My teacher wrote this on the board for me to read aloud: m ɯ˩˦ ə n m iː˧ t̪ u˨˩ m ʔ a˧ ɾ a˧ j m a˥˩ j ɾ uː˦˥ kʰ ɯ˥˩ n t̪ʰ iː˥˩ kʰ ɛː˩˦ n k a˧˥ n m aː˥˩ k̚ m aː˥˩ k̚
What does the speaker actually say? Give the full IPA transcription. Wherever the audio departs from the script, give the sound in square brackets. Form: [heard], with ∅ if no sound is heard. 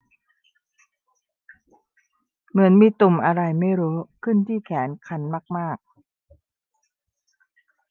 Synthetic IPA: m ɯ˩˦ ə n m iː˧ t̪ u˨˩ m ʔ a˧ ɾ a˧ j m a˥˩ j ɾ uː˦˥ kʰ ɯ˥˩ n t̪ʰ iː˥˩ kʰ ɛː˩˦ n [kʰ] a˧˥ n m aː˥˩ k̚ m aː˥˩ k̚

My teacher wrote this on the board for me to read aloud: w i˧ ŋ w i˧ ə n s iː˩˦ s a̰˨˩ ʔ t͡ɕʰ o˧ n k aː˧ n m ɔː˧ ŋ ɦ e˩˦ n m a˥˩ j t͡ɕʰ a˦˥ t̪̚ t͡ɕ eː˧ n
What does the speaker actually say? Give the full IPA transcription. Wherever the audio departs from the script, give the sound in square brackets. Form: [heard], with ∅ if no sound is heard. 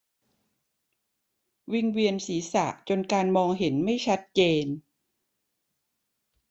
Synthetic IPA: w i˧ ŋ w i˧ ə n s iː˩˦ s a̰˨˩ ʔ [t͡ɕ] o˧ n k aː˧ n m ɔː˧ ŋ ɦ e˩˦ n m a˥˩ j t͡ɕʰ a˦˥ t̪̚ t͡ɕ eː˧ n

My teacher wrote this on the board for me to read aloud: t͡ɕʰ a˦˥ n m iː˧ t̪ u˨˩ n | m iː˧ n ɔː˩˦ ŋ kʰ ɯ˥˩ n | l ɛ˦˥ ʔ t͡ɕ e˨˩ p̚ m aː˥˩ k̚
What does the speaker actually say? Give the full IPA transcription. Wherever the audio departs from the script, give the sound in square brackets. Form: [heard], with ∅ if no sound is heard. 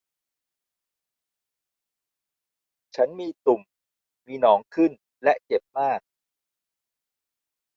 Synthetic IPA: t͡ɕʰ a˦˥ n m iː˧ t̪ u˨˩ [m] | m iː˧ n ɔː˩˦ ŋ kʰ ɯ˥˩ n | l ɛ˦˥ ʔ t͡ɕ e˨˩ p̚ m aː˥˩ k̚

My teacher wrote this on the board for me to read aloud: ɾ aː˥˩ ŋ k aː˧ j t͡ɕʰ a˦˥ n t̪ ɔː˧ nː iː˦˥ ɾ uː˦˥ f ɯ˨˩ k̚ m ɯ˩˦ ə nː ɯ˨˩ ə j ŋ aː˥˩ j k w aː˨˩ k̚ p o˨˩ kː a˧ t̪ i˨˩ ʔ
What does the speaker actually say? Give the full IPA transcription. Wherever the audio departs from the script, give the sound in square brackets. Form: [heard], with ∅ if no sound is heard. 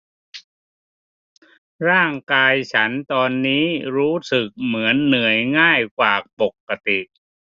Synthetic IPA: ɾ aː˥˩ ŋ k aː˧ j t͡ɕʰ a˦˥ n t̪ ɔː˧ nː iː˦˥ ɾ uː˦˥ [s] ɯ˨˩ k̚ m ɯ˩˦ ə nː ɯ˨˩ ə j ŋ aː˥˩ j k w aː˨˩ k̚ p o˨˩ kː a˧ t̪ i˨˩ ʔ

